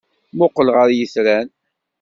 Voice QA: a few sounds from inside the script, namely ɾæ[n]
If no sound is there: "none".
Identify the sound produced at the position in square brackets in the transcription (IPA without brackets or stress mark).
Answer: n